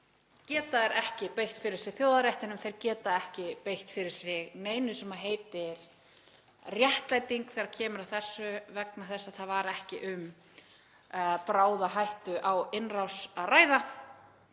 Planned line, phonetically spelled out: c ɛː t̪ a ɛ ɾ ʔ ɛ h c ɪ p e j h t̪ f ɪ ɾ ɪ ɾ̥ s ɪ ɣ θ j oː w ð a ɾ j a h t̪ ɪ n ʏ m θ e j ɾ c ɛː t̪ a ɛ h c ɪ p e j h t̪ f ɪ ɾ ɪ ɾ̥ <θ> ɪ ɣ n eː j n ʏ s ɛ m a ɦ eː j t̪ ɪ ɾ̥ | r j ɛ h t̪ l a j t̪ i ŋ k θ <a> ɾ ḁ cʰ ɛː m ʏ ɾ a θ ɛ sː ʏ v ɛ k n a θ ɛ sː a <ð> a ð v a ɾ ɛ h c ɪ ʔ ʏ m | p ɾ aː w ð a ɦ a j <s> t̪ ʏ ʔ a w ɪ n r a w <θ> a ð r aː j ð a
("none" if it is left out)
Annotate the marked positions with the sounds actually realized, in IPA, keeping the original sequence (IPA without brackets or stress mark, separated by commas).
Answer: s, ɛ, θ, h, s